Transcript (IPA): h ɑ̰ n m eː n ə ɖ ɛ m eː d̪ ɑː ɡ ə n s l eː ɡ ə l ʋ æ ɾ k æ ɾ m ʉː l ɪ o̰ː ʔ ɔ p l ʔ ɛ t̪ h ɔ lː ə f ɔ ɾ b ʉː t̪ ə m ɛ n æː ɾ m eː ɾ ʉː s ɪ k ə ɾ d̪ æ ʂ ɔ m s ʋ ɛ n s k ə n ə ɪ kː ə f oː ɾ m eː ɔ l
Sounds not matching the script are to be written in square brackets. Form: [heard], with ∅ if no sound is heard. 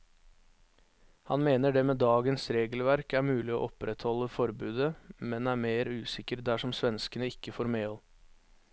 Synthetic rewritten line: h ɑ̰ n m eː n ə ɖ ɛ m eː d̪ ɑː ɡ ə n s [ɾ] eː ɡ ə l ʋ æ ɾ k æ ɾ m ʉː l ɪ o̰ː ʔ ɔ p [ɾ] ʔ ɛ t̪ h ɔ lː ə f ɔ ɾ b ʉː [d̪] ə m ɛ n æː ɾ m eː ɾ ʉː s ɪ k ə ɾ d̪ æ ʂ ɔ m s ʋ ɛ n s k ə n ə ɪ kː ə f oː ɾ m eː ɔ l